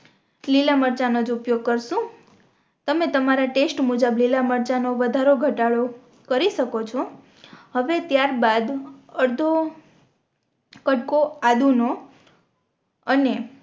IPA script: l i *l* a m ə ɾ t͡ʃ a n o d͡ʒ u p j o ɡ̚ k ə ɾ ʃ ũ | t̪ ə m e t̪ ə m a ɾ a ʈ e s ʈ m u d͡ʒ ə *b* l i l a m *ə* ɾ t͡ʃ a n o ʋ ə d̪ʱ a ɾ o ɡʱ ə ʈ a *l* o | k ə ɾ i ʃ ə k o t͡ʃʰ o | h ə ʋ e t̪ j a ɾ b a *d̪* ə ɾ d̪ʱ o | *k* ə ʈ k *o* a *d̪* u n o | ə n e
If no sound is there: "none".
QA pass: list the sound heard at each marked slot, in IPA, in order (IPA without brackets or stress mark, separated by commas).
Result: l, b, ə, ɭ, d̪, k, o, d̪